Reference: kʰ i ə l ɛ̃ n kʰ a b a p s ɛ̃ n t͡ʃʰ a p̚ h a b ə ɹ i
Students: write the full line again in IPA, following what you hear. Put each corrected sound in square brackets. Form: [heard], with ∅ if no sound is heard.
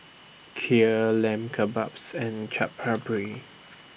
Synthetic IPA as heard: kʰ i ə l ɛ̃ [m] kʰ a b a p s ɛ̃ n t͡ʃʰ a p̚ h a b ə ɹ i